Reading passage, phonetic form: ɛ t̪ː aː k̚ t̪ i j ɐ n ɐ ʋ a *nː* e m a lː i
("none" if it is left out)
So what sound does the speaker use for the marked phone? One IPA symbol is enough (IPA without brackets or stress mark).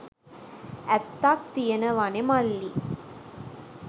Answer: n